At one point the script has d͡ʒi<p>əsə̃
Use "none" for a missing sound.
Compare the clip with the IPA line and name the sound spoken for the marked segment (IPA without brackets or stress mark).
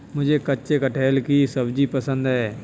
p